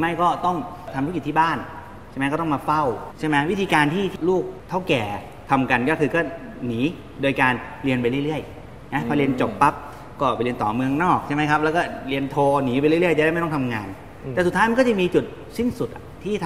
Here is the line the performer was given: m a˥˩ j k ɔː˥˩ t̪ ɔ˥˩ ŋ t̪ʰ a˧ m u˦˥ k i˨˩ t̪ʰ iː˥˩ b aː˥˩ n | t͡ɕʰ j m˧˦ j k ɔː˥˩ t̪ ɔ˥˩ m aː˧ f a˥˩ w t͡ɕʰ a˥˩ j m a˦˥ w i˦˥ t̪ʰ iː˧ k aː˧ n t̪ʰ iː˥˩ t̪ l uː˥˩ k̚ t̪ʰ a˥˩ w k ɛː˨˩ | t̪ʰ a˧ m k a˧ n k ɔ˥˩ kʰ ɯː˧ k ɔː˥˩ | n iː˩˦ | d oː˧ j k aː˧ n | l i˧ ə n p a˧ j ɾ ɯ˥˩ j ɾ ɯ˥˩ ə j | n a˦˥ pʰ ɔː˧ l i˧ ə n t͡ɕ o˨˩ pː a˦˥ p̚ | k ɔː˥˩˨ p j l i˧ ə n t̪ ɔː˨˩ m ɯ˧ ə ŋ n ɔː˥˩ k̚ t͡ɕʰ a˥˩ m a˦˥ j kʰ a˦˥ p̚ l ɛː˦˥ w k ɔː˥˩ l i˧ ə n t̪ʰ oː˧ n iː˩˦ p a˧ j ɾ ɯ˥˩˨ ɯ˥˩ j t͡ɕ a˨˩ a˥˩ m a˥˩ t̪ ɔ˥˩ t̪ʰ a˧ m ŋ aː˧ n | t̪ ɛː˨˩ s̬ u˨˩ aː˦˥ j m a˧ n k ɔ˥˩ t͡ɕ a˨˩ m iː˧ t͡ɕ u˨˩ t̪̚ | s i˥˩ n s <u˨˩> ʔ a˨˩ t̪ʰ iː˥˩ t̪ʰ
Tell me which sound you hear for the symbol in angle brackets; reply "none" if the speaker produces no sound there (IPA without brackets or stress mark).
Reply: u˨˩